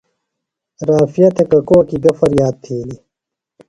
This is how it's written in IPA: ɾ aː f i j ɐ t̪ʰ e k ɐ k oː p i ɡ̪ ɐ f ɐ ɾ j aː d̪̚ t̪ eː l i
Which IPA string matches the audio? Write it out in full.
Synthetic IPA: ɾ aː f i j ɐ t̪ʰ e k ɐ k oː k i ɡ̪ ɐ f ɐ ɾ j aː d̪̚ t̪ʰ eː l i